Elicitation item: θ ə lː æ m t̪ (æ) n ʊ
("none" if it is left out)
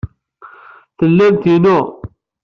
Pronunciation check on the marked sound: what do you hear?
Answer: i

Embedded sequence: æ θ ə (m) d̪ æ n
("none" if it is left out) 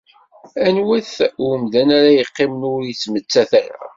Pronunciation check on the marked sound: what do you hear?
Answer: m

